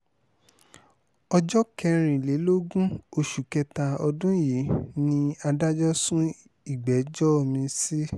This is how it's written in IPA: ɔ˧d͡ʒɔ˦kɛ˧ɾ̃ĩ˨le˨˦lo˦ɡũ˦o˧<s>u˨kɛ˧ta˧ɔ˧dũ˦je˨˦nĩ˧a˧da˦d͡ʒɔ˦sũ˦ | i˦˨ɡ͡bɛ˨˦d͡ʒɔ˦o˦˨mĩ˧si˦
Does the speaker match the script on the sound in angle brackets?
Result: no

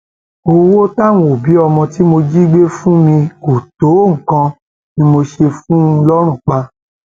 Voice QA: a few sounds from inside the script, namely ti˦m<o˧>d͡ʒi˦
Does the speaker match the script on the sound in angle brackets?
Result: yes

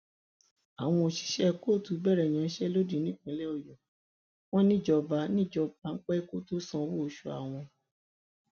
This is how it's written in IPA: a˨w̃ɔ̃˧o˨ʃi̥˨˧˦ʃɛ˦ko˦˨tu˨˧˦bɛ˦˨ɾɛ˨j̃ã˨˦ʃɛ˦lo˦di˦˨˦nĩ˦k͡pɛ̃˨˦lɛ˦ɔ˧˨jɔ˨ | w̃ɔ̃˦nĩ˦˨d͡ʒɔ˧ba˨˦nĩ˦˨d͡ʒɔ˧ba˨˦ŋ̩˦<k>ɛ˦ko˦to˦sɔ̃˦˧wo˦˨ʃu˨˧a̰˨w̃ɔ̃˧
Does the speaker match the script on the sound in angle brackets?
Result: no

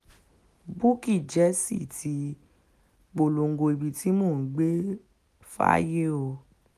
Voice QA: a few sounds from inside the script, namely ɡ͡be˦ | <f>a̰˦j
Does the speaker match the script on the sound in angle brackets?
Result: yes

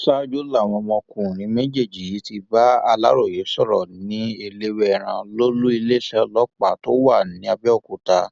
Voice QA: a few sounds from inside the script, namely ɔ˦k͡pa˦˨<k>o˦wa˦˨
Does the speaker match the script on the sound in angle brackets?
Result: no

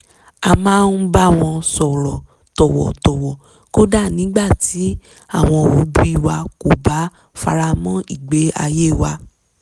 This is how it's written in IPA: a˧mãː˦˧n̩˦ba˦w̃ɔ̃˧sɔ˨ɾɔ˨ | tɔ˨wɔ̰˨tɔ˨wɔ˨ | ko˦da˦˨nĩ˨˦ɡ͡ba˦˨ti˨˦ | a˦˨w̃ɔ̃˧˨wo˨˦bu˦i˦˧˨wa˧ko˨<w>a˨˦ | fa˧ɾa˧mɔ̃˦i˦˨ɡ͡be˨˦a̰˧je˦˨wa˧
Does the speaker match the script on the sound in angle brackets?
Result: no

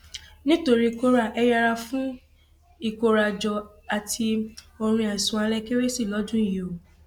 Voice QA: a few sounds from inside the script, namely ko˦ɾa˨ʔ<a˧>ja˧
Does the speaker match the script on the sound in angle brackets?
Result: no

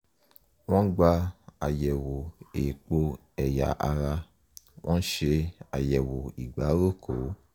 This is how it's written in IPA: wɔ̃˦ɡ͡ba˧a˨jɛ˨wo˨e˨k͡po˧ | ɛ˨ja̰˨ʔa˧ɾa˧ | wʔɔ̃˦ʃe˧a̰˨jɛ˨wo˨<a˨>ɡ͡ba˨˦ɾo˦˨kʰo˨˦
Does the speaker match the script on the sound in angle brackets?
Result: no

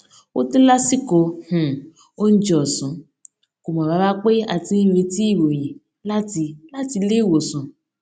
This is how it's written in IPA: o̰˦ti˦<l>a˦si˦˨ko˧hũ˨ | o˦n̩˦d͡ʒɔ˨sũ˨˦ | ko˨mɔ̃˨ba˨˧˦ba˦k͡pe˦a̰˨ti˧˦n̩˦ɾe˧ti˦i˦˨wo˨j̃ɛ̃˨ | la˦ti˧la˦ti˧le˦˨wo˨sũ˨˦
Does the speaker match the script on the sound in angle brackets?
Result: yes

